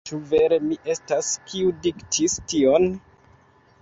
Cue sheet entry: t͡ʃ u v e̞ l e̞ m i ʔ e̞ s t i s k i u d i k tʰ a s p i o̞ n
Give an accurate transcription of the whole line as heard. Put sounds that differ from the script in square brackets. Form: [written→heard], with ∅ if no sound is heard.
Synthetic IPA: t͡ʃ u v e̞ [l→ɾ] e̞ m i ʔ e̞ s t [i→a] s k i u d i k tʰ [a→i] s [p→t] i o̞ n